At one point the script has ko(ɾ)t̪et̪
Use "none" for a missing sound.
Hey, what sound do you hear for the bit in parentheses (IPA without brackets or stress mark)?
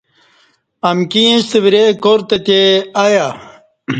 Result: ɾ